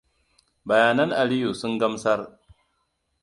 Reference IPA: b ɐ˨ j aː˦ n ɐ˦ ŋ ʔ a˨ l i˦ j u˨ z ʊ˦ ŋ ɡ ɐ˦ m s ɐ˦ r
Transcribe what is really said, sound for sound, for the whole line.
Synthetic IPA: b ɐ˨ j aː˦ n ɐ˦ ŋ ʔ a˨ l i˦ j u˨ s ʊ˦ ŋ ɡ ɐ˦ m s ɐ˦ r